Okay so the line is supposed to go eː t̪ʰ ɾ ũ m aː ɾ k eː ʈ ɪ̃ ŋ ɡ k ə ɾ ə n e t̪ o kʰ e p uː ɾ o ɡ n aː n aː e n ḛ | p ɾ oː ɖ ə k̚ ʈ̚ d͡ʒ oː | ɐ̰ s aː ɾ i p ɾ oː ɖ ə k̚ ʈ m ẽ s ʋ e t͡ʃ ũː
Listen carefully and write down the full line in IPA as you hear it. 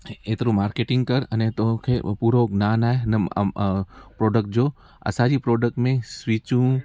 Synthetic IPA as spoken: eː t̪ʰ ɾ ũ m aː ɾ k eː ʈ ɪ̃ ŋ ɡ k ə ɾ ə n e t̪ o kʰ e p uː ɾ o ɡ n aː n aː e n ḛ | p ɾ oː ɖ ə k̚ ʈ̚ d͡ʒ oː | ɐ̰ s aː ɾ i p ɾ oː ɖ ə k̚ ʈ m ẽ s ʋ i t͡ʃ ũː